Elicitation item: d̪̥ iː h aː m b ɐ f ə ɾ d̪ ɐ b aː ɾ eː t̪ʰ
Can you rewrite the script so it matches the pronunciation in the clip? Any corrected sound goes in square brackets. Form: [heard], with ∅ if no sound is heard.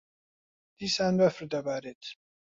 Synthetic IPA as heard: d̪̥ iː [s] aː [n] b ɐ f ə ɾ d̪ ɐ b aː ɾ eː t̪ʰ